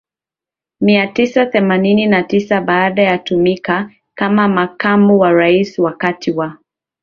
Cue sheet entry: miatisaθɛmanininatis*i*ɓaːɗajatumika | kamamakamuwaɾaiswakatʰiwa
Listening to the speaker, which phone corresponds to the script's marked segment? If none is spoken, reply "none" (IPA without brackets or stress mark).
a